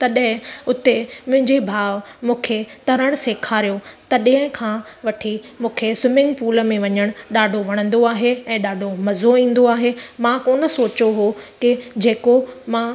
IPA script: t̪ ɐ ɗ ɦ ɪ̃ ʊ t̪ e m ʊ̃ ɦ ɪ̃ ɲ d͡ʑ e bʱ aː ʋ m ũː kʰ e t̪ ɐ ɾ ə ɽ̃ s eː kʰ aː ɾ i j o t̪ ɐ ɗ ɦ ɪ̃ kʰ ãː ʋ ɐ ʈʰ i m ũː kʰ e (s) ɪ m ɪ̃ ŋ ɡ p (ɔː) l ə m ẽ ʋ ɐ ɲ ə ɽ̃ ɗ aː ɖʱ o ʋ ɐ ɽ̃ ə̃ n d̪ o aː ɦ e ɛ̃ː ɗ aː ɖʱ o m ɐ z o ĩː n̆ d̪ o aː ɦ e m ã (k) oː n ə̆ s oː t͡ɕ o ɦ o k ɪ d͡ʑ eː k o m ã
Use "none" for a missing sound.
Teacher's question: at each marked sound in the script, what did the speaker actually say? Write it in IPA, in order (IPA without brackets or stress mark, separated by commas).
s, uː, k